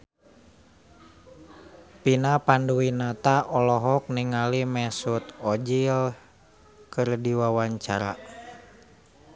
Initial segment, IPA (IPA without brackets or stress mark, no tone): p